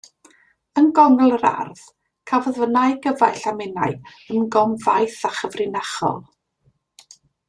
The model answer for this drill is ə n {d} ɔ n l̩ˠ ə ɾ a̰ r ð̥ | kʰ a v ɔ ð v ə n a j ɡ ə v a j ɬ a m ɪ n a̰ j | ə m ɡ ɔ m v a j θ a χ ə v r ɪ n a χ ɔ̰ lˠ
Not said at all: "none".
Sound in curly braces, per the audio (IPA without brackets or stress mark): ɡ